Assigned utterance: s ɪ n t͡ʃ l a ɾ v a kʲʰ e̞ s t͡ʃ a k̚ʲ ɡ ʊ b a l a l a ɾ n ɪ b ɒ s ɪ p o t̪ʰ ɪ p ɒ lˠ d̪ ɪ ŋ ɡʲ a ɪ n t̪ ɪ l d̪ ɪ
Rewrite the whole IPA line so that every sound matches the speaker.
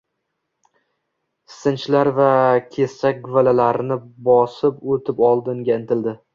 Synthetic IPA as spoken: s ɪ n t͡ʃ l a ɾ v a kʲʰ e̞ s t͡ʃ a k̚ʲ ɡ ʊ v a l a l a ɾ n ɪ b ɒ s ɪ p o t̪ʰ ɪ p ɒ lˠ d̪ ɪ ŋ ɡʲ a ɪ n t̪ ɪ l d̪ ɪ